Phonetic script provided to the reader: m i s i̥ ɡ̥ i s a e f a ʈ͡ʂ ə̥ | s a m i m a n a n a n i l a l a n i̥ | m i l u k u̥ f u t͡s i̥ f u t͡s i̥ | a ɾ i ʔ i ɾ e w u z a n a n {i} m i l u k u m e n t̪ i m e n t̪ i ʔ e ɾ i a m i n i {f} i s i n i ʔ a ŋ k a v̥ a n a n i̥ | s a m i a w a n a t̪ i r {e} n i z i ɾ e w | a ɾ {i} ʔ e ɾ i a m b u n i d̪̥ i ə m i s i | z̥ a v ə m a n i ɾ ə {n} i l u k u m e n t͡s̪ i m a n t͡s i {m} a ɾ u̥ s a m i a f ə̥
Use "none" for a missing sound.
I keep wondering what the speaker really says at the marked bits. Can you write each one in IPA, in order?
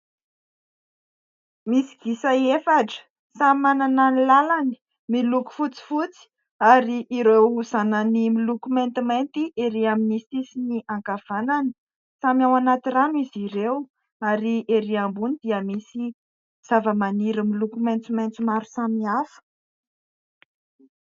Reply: i, s, a, i, m, m

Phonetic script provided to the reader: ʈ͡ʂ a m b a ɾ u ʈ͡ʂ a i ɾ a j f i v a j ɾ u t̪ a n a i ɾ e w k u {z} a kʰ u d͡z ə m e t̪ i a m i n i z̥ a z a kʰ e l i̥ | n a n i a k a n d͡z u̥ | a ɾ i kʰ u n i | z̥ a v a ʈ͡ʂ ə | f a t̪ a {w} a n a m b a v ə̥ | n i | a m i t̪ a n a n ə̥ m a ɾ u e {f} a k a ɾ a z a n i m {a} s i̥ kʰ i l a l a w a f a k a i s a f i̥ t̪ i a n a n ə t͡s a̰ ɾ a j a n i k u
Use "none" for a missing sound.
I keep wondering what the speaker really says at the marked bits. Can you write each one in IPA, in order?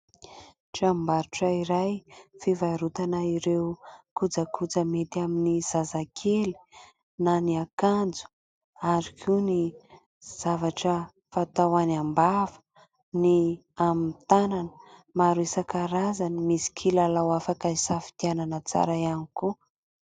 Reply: d͡z, w, s, i

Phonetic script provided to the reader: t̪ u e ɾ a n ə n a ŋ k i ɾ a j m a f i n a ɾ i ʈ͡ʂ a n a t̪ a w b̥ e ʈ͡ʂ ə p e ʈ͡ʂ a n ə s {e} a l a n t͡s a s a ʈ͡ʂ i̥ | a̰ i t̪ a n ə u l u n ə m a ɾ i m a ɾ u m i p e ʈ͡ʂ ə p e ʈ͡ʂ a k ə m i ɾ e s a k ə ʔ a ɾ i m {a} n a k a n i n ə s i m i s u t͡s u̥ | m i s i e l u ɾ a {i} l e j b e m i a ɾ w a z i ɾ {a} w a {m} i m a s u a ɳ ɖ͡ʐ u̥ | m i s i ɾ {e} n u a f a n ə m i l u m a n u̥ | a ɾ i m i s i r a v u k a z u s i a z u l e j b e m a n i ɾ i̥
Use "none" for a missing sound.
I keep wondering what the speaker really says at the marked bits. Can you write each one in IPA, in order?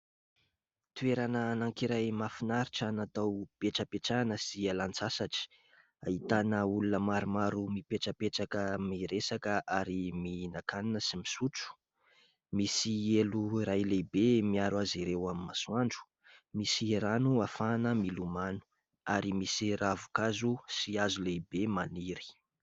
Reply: i, i, j, e, m, a

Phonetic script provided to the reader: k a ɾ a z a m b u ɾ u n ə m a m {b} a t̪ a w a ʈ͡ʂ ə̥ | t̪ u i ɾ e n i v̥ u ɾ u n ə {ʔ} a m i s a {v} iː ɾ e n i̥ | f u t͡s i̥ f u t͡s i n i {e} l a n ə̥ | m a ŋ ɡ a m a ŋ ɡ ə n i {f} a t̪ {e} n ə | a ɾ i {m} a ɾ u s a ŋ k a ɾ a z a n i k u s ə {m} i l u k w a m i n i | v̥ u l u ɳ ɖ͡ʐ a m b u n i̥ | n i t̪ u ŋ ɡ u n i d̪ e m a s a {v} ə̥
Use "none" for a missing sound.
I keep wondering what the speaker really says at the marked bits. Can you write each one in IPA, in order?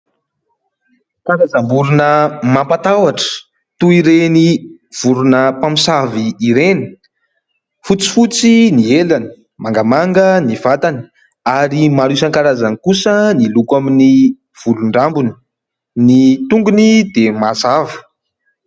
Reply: p, p, v, e, v, a, m, n, v

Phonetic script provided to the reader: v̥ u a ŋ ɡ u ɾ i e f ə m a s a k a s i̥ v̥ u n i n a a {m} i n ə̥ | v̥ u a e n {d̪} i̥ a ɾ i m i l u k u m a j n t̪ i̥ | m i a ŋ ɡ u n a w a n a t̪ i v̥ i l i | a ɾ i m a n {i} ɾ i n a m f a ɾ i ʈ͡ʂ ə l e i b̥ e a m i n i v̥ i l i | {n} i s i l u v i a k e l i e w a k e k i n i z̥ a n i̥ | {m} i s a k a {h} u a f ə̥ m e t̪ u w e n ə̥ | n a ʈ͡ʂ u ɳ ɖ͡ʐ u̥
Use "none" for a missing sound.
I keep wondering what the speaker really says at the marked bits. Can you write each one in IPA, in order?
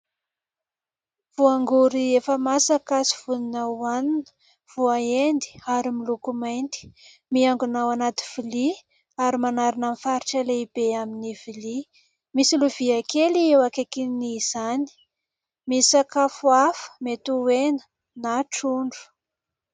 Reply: n, d̪, a, m, m, f

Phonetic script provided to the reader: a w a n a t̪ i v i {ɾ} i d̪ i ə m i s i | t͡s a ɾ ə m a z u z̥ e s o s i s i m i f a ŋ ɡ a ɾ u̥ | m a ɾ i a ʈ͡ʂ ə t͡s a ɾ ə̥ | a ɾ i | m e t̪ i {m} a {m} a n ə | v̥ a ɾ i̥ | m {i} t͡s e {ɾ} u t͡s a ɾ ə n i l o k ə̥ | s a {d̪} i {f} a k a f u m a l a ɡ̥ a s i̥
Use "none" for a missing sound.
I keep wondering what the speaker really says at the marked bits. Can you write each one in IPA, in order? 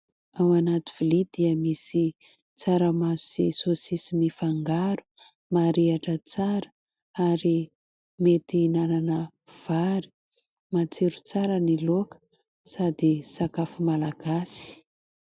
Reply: l, n, n, a, ɾ, d̪, s

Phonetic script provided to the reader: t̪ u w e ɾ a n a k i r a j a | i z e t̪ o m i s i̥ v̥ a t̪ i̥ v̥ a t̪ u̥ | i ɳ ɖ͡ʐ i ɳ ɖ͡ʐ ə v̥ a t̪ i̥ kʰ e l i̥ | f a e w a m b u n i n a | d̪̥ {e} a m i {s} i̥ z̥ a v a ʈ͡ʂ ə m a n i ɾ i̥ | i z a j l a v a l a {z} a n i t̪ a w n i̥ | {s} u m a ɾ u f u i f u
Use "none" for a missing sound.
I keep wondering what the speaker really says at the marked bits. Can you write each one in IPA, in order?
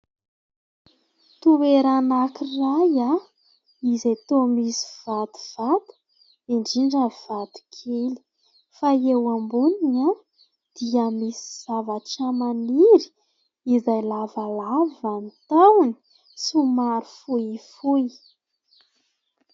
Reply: i, s, v, s

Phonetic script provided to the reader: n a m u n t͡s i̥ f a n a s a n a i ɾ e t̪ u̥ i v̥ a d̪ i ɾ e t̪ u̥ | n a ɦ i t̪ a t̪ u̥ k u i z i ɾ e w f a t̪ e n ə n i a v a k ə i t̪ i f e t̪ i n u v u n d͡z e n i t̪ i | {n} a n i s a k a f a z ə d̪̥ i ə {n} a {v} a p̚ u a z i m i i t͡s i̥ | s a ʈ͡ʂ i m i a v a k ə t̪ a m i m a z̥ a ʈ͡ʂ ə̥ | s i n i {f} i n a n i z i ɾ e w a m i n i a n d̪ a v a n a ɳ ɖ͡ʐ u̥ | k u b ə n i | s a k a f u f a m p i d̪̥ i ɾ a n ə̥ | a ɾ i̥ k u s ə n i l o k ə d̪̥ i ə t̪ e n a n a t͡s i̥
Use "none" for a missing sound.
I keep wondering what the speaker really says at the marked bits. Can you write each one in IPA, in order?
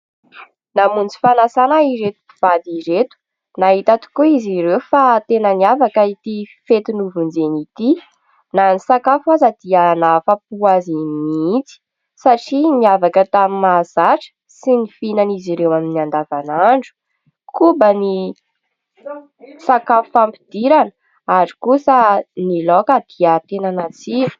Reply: n, n, f, f

